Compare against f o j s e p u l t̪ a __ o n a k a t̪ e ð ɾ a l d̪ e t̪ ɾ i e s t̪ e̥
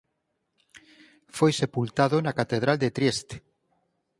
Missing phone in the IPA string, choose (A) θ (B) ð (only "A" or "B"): B